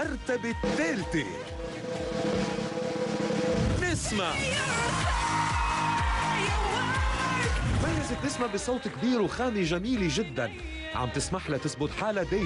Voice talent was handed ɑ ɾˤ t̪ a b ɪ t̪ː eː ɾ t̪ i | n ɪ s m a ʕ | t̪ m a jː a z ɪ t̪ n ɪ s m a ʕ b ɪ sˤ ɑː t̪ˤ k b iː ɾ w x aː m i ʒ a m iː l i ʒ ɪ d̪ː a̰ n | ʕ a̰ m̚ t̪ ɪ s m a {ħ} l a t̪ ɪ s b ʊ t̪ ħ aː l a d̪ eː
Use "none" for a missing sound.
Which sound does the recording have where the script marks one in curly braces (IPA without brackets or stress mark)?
ħ